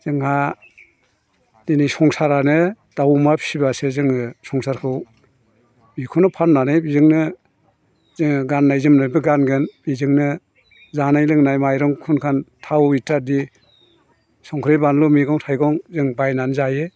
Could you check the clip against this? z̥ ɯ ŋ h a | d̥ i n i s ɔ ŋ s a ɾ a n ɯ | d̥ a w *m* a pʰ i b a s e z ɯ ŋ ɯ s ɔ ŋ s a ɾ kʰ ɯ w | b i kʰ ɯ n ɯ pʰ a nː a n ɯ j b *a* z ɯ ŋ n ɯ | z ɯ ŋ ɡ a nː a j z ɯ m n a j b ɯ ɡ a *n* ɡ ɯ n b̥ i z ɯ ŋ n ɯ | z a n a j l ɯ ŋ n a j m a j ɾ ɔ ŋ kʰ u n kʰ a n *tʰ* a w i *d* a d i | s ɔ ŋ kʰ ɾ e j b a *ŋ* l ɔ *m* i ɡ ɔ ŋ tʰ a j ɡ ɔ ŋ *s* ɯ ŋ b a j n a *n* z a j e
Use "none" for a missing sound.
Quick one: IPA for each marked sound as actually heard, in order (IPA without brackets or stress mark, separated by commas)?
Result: m, i, n, tʰ, t, n, m, z, n